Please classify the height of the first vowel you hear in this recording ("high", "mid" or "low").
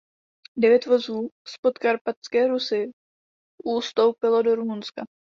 mid